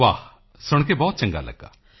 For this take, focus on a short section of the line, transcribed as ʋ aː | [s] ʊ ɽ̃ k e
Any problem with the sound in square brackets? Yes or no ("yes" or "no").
no